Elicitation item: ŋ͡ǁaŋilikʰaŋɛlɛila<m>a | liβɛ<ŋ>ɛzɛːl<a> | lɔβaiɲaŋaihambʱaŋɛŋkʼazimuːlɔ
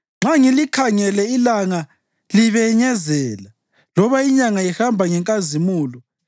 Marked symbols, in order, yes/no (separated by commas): no, no, yes